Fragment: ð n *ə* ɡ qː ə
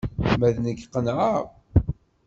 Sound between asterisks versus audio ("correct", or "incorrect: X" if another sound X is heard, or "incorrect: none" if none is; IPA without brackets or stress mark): correct